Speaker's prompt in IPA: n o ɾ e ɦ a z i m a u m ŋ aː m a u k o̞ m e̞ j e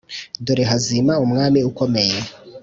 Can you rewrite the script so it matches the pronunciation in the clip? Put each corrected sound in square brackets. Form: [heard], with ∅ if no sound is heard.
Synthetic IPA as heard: [d] o ɾ e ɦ a z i m a u m ŋ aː m [i] u k o̞ m e̞ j e